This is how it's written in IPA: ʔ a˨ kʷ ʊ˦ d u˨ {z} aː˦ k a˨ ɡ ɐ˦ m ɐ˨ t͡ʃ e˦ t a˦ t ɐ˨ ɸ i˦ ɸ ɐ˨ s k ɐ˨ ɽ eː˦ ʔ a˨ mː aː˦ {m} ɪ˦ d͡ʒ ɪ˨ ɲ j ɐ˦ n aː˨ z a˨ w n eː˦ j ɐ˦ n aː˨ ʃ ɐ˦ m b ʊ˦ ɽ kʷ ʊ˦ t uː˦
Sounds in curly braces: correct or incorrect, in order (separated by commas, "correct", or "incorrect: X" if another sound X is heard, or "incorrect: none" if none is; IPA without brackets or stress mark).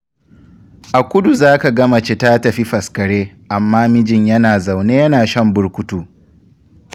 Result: correct, correct